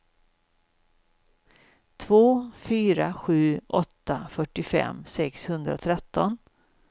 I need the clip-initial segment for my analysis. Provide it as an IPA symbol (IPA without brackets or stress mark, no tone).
t̪ʰ